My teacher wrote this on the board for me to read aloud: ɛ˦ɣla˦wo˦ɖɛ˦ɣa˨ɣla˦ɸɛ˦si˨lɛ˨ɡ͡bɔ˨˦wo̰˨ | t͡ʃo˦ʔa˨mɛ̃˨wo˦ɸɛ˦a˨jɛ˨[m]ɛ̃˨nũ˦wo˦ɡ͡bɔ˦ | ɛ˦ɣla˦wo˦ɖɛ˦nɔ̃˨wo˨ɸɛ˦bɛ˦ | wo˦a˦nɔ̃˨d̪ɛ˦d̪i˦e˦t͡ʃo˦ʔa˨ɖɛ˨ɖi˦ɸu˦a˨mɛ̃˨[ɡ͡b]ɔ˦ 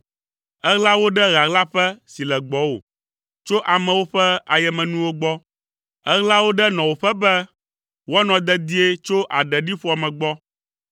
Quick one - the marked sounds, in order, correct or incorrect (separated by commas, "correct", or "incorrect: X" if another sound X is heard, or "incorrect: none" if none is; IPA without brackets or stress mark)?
correct, correct